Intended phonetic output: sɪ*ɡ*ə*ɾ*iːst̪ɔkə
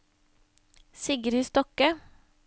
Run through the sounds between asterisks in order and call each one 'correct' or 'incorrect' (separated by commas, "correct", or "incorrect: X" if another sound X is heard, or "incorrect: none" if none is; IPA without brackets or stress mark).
correct, correct